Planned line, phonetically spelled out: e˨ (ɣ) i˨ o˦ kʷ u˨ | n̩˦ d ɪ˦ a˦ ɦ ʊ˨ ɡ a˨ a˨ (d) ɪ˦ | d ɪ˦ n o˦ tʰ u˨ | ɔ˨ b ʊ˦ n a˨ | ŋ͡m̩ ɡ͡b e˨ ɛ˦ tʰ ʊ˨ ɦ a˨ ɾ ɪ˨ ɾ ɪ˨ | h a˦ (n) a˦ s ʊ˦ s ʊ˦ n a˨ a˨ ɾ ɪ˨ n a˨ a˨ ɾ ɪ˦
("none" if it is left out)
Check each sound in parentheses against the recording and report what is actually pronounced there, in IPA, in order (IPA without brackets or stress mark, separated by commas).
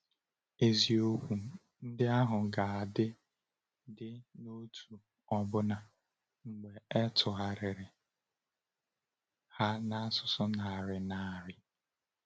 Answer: z, d, n